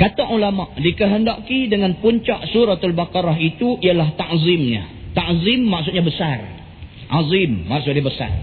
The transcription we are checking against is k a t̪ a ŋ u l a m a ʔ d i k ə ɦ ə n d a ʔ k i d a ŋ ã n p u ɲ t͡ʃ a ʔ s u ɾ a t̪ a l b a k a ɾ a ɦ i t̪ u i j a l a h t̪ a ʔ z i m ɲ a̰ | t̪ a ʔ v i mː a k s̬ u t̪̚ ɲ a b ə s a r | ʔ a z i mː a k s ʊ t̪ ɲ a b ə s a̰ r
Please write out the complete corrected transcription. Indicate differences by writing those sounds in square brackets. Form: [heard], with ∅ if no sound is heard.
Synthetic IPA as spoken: k a t̪ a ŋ u l a m a ʔ d i k ə ɦ ə n d a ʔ k i d [ə] ŋ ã n p u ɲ t͡ʃ a ʔ s u ɾ a t̪ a l b a k a ɾ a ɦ i t̪ u i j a l a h t̪ a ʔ z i m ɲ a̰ | t̪ a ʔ [z] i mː a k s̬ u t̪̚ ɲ a b ə s a r | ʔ a z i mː a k s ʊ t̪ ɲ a b ə s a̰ r